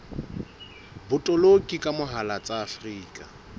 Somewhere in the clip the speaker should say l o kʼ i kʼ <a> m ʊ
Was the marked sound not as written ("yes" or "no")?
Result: no